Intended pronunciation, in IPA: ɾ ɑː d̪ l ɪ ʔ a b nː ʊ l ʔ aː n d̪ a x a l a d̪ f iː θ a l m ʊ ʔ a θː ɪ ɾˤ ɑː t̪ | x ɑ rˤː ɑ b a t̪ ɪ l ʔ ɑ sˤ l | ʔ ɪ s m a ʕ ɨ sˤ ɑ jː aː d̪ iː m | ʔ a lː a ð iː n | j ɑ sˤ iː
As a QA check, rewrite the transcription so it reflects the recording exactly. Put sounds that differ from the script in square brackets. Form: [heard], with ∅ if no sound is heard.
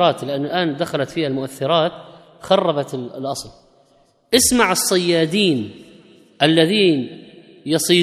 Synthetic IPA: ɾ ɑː [t̪] l ɪ ʔ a [∅] nː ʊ l ʔ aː n d̪ a x a l a [t̪] f iː [h] a l m ʊ ʔ a θː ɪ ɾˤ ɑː t̪ | x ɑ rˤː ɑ b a t̪ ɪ l ʔ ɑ sˤ l | ʔ ɪ s m a ʕ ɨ [sˤː] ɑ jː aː d̪ iː [n] | ʔ a lː a ð iː n | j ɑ sˤ iː